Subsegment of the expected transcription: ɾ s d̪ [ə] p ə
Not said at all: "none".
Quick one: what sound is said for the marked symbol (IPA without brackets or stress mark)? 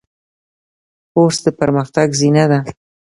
ə